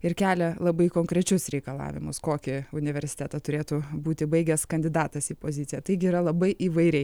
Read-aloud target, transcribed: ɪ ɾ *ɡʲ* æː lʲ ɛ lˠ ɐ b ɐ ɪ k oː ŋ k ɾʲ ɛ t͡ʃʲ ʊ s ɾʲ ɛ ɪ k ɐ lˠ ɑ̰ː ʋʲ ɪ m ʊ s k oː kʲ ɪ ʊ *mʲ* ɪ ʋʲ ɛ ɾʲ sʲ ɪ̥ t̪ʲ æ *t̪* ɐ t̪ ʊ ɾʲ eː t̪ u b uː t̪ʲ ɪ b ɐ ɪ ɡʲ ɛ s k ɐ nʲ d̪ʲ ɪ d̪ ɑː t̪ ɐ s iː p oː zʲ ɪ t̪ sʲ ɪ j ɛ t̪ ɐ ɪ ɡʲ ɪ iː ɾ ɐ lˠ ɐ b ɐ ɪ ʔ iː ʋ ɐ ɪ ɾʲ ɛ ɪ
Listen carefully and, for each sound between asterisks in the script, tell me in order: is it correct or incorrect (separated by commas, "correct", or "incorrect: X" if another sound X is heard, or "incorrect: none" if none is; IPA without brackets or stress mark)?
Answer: incorrect: kʲ, incorrect: nʲ, correct